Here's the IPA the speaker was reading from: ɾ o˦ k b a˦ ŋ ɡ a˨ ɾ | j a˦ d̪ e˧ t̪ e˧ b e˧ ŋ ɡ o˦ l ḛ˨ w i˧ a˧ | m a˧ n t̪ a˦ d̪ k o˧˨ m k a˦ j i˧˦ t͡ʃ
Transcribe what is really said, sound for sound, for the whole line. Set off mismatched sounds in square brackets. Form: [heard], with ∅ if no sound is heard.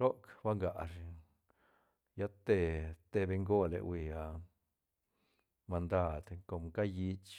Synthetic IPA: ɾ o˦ k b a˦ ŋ ɡ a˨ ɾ | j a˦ [t̪] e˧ t̪ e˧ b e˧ ŋ ɡ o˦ l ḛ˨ w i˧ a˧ | m a˧ n [d̪] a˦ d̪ k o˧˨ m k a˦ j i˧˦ t͡ʃ